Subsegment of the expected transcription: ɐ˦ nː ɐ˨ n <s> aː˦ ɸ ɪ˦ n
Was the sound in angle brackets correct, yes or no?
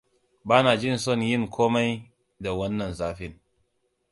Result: no